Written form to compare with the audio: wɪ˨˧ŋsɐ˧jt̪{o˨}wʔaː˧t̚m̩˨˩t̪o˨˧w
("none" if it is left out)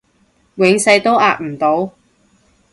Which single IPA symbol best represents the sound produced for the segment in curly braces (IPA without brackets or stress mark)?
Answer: o˥